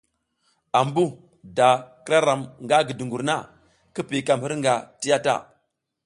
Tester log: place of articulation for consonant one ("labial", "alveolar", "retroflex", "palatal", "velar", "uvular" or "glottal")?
labial